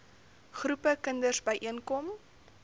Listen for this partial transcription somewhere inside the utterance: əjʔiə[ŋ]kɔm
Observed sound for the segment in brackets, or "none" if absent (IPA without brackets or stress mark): n